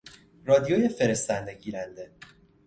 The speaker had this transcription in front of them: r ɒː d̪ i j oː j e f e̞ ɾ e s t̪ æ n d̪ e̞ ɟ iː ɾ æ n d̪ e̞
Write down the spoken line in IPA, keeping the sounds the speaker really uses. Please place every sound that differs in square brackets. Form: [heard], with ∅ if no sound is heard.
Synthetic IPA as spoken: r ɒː d̪ i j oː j e f e̞ ɾ e s t̪ æ n d̪ e̞ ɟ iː ɾ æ n d̪ e̞